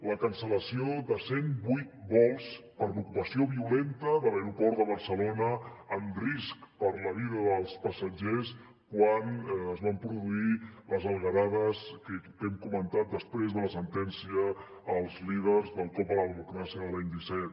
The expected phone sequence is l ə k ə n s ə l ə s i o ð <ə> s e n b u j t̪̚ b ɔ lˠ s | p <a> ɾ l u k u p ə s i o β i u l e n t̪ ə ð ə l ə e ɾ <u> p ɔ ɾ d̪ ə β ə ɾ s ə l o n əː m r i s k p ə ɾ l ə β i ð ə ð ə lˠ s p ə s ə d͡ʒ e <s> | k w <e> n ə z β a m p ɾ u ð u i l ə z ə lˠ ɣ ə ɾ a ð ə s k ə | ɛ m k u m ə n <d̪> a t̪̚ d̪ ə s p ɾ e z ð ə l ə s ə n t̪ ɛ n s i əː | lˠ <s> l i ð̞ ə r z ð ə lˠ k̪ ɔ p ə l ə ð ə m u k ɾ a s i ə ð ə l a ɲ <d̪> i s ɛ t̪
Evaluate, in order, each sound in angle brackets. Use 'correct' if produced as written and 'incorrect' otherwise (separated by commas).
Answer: correct, incorrect, correct, correct, incorrect, incorrect, incorrect, correct